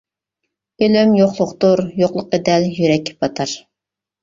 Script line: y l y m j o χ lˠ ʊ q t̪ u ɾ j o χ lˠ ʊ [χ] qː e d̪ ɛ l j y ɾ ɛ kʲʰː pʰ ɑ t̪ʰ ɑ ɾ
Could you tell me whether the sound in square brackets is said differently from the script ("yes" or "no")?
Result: yes